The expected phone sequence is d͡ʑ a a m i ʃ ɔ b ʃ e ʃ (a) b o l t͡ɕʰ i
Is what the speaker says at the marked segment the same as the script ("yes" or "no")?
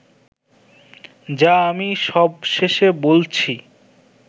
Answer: no